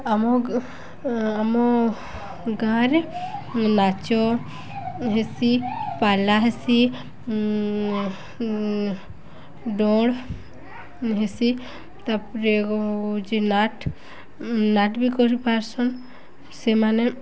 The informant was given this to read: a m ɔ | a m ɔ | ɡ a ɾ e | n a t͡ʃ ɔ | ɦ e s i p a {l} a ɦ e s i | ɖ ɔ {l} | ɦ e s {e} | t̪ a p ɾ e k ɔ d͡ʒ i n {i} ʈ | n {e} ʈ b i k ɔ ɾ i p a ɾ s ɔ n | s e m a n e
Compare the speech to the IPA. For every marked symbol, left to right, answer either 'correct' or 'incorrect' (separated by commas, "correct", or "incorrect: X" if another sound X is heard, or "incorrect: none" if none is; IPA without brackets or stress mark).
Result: correct, incorrect: ɽ, incorrect: i, incorrect: a, incorrect: a